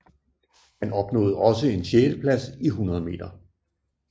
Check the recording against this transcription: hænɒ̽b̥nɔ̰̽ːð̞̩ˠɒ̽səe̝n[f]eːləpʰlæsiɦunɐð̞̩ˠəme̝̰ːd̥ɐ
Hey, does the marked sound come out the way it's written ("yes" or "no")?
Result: no